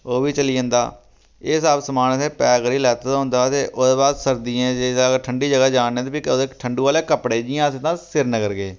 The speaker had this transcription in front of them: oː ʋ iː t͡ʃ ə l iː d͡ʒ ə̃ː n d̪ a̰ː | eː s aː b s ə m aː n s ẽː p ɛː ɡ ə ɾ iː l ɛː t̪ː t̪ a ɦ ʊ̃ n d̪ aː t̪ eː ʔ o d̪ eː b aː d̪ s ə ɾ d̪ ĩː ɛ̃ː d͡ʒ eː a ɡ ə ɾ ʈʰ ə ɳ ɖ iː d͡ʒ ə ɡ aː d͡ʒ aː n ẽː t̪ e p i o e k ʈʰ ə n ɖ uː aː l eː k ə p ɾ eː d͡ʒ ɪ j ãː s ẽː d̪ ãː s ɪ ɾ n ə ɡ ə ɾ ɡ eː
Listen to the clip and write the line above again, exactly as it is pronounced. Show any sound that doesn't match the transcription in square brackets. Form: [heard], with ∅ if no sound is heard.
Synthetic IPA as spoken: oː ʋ iː t͡ʃ ə l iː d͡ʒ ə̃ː n d̪ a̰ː | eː s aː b s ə m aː n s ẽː p ɛː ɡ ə ɾ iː l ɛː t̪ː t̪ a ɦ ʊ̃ n d̪ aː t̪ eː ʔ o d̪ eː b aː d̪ s ə ɾ d̪ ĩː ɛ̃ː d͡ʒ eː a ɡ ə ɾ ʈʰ ə ɳ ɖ iː d͡ʒ ə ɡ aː d͡ʒ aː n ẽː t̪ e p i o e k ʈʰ ə [ɳ] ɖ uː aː l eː k ə p [ɽ] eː d͡ʒ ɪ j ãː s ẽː [t̪] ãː s ɪ ɾ n ə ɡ ə ɾ ɡ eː